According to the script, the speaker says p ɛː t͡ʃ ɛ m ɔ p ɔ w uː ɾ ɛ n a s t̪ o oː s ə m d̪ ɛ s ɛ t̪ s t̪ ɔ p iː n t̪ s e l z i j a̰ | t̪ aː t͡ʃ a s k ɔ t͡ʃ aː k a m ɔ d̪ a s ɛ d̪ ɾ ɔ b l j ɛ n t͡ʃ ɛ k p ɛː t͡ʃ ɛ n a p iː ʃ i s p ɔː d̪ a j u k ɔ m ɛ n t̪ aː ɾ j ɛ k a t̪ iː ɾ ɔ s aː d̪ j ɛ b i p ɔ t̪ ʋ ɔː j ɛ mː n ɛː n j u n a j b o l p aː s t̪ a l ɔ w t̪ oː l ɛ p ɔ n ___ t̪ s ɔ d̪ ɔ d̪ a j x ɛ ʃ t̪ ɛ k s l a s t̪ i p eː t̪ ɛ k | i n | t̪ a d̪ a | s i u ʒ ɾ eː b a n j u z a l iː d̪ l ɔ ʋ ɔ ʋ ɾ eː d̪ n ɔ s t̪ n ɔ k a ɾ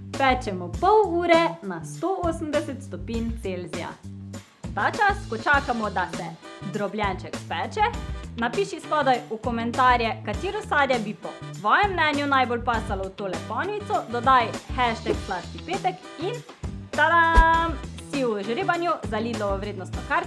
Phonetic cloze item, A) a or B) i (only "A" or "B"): B